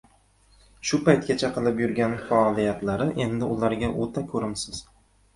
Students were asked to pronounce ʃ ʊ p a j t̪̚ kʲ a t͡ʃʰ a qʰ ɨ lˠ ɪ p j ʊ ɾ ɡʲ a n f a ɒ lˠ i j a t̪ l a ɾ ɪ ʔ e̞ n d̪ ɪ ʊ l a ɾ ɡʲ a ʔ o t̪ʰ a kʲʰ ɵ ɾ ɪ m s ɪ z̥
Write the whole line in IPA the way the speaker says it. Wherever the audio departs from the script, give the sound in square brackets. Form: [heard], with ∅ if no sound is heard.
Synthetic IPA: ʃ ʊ p a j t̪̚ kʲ a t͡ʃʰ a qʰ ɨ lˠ ɪ p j ʊ ɾ ɡʲ a n f a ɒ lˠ i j a t̪ l a ɾ ɪ ʔ e̞ n d̪ ɪ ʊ l a ɾ ɡʲ a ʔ o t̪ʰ a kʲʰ ɵ ɾ ɪ m s ɪ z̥